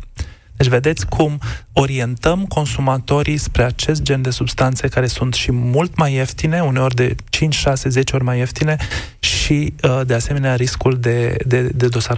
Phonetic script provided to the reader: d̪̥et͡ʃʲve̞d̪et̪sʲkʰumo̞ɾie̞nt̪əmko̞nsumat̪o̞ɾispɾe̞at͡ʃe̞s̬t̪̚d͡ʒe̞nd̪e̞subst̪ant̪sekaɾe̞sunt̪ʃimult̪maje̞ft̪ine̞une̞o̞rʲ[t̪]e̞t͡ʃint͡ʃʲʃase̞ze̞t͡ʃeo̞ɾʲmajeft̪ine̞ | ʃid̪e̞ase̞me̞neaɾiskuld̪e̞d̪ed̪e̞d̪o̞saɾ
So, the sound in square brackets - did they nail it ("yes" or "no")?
no